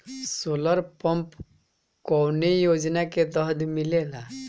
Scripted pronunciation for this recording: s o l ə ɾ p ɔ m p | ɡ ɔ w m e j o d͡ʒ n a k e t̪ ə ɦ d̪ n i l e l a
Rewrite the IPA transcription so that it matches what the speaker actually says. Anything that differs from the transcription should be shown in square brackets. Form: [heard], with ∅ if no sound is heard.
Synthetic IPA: s o l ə ɾ p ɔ m p | [k] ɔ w [n] e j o d͡ʒ n a k e t̪ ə ɦ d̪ [m] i l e l a